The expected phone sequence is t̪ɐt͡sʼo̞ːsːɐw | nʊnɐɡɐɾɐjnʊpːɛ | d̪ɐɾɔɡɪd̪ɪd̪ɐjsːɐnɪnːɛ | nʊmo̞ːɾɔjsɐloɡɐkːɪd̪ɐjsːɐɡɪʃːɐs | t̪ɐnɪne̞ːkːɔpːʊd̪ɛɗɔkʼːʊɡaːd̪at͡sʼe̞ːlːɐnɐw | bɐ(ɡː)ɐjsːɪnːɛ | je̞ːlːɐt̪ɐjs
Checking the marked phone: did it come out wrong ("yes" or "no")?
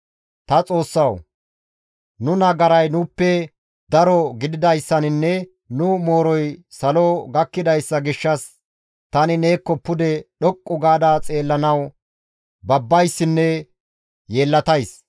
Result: yes